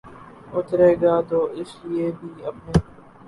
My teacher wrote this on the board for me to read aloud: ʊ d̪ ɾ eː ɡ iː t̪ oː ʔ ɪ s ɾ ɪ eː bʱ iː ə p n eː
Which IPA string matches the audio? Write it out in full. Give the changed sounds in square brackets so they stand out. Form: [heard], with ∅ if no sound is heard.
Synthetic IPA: ʊ [t̪] ɾ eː ɡ [aː] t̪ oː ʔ ɪ s [l] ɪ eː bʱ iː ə p n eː

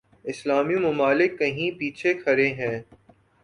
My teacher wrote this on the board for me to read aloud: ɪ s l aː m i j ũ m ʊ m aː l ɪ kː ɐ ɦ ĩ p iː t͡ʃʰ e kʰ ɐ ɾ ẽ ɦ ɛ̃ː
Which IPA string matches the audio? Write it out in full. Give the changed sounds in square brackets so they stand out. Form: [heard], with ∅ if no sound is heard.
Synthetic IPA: ɪ s l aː m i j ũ m ʊ m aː l ɪ kː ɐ ɦ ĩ p iː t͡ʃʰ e kʰ ɐ ɾ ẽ ɦ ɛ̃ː

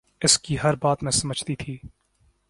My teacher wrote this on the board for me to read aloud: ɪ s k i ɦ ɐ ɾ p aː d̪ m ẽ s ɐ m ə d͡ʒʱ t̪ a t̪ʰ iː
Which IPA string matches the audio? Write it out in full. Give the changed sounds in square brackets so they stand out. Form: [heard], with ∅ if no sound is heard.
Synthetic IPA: ɪ s k i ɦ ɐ ɾ [b] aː [t̪] m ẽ s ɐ m ə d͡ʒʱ t̪ [i] t̪ʰ iː

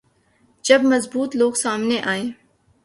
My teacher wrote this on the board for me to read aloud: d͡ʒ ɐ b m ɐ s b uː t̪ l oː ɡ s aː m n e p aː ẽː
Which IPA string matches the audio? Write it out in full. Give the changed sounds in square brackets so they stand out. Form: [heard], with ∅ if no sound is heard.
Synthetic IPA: d͡ʒ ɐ b m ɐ [z] b uː t̪ l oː ɡ s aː m n e [ʔ] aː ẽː

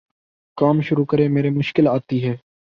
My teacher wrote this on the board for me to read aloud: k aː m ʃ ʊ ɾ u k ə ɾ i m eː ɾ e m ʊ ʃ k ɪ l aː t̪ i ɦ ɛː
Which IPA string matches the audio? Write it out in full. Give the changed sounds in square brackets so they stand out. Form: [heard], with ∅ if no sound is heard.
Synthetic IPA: k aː m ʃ ʊ ɾ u k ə ɾ [e] m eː ɾ e m ʊ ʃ k ɪ l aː t̪ i ɦ ɛː

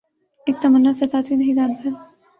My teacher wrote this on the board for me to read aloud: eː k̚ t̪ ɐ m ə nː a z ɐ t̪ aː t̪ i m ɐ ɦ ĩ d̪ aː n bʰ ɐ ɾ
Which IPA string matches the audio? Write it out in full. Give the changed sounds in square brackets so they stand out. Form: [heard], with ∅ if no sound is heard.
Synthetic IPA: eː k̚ t̪ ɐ m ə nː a [s] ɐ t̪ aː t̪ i [n] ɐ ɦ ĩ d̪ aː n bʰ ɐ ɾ

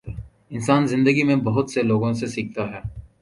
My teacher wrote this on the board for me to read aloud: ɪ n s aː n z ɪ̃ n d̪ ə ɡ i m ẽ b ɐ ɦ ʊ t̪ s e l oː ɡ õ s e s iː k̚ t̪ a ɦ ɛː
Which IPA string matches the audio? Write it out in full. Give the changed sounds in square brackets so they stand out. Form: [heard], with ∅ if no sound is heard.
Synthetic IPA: ɪ n s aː n z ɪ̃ n d̪ ə ɡ i m ẽ b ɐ ɦ ʊ t̪ s e l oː ɡ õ s e s iː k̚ t̪ a ɦ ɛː

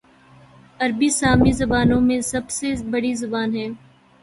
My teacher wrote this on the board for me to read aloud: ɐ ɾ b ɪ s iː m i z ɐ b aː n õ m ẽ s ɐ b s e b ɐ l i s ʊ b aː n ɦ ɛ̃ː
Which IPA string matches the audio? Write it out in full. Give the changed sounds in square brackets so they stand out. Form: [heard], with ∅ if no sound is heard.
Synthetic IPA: ɐ ɾ b [i] s [aː] m i z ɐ b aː n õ m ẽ s ɐ b s e b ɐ [ɽ] i [z] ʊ b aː n ɦ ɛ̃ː

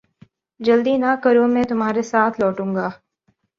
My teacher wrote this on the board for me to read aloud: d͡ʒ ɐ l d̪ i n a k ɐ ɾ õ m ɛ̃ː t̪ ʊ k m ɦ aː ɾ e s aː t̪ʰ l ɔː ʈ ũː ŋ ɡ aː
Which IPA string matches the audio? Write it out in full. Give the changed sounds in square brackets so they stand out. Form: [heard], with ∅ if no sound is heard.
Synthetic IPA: d͡ʒ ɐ l d̪ i n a k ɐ ɾ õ m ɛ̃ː t̪ ʊ [∅] m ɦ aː ɾ e s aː t̪ʰ l ɔː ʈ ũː ŋ ɡ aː

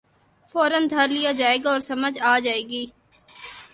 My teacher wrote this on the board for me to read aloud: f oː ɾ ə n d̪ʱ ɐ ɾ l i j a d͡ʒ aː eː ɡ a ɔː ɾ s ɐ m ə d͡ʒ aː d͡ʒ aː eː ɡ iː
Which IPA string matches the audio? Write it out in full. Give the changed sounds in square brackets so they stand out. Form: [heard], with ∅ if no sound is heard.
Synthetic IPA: f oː ɾ ə n d̪ʱ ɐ ɾ l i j a d͡ʒ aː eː ɡ a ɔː ɾ s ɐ m ə d͡ʒ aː d͡ʒ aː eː ɡ iː

